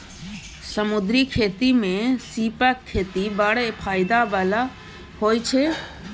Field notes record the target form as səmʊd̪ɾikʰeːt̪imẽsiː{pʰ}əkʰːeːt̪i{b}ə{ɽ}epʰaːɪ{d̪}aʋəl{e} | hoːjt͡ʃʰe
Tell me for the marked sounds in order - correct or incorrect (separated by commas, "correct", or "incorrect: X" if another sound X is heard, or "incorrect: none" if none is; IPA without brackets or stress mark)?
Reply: incorrect: p, correct, correct, correct, incorrect: a